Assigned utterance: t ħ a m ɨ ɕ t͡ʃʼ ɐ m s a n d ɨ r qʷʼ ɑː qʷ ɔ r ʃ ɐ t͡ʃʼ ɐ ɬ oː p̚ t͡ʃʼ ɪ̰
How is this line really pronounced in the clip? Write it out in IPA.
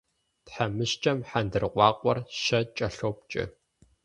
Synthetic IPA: t ħ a m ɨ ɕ t͡ʃʼ ɐ m ħ a n d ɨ r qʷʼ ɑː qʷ ɔ r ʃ ɐ t͡ʃʼ ɐ ɬ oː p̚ t͡ʃʼ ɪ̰